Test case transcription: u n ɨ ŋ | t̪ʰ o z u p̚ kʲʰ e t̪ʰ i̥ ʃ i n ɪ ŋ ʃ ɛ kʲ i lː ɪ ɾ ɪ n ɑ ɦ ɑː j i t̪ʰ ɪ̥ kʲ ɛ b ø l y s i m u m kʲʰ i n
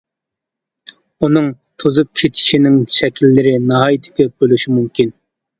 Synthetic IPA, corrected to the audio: u n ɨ ŋ | t̪ʰ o z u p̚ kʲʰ e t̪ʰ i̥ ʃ i n ɪ ŋ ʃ ɛ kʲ i lː ɪ ɾ ɪ n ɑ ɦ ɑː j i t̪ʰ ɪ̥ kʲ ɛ b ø l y ʃ i m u m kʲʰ i n